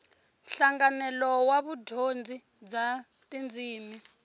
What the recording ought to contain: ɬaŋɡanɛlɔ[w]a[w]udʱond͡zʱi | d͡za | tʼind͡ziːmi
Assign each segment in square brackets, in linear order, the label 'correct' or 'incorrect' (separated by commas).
correct, incorrect